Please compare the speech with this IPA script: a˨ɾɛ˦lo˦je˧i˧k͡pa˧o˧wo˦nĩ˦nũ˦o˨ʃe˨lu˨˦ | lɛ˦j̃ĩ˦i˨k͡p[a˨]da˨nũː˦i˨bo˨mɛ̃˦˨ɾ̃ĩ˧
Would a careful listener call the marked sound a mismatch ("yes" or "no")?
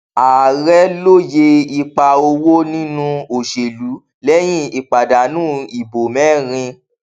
no